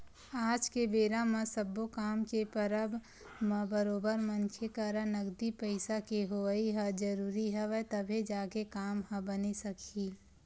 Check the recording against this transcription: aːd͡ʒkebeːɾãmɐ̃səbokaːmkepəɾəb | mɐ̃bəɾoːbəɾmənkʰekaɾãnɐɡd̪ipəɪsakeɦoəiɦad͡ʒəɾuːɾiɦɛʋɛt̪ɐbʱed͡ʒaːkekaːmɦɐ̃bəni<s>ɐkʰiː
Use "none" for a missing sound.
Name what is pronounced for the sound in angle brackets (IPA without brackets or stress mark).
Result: s